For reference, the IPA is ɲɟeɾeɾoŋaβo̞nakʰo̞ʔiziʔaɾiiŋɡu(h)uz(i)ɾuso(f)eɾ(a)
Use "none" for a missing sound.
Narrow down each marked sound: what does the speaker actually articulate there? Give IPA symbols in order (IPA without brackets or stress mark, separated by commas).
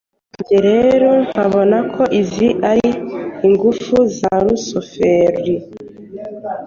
f, a, f, i